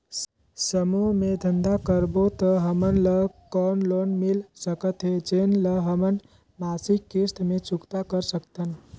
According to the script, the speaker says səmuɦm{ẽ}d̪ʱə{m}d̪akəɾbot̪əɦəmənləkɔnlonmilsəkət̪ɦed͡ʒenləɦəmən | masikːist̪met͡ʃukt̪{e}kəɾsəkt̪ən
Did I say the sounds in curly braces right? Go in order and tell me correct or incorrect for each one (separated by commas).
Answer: incorrect, incorrect, incorrect